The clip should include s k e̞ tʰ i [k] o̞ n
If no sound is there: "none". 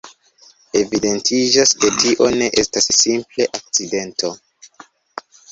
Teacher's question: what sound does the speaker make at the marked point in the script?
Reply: ʔ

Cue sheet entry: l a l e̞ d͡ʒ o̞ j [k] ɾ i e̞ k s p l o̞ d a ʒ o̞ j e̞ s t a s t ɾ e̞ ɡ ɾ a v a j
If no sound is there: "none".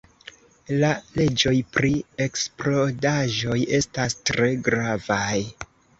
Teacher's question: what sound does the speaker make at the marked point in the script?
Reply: p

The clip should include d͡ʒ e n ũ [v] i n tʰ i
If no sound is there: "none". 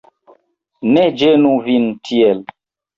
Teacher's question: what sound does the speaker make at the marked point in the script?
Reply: v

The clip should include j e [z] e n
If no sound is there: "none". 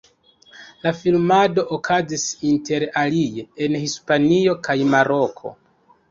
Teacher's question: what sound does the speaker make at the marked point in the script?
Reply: none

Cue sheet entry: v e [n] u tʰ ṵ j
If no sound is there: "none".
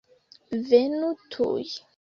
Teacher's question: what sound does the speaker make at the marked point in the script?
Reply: n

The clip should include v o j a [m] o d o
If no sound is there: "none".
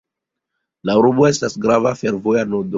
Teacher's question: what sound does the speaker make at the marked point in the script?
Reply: n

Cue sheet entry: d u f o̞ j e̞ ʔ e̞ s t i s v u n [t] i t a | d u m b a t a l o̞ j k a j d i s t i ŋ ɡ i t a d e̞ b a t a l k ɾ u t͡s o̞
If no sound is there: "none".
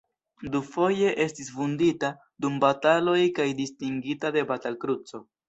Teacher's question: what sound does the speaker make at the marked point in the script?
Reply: d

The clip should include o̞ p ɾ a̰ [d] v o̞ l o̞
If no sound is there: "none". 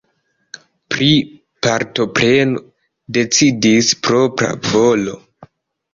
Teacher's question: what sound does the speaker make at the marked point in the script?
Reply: none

